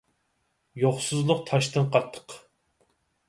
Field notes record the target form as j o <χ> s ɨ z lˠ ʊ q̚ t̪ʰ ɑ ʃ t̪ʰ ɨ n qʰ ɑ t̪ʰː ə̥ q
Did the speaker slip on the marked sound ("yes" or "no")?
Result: no